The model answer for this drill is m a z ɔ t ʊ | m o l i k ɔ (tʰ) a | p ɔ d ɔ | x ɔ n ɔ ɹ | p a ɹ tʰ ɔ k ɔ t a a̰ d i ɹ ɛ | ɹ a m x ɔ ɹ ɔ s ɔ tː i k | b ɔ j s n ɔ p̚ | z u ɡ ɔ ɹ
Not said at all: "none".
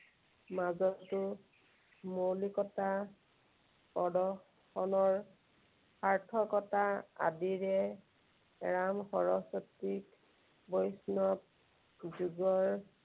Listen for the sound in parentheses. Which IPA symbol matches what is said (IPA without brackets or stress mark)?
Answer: t